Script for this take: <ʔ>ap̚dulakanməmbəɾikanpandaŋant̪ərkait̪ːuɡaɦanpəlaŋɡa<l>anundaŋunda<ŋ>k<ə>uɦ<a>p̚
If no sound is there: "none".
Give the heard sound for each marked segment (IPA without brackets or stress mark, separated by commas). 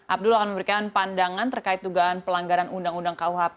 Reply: ʔ, ɾ, ŋ, a, a